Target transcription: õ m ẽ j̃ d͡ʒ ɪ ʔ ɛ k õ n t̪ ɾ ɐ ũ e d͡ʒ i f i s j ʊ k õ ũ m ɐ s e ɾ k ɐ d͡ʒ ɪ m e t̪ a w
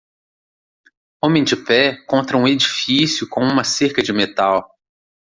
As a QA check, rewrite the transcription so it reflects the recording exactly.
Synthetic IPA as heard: õ m ẽ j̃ d͡ʒ ɪ p ɛ k õ n t̪ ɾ ɐ ũ e d͡ʒ i f i s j ʊ k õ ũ m ɐ s e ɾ k ɐ d͡ʒ ɪ m e t̪ a w